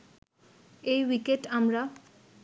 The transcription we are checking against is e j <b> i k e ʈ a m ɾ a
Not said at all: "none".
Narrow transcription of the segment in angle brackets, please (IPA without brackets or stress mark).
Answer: w